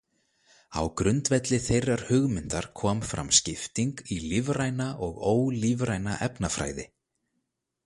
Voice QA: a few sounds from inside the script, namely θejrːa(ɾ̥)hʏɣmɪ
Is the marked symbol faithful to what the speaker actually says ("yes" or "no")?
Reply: yes